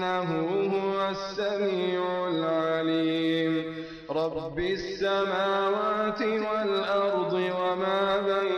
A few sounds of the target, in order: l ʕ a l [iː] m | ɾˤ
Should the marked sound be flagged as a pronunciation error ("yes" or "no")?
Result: no